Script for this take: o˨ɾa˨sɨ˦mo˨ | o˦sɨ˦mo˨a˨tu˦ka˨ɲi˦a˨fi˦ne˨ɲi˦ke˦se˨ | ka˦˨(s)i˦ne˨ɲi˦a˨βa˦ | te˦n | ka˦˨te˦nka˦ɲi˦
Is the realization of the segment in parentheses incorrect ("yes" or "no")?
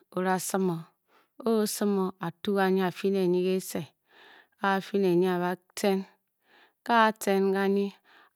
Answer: yes